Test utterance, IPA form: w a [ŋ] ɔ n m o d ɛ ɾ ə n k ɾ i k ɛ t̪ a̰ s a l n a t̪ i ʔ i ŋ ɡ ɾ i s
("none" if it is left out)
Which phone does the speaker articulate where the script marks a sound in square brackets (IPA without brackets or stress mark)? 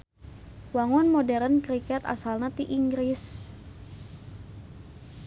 ŋ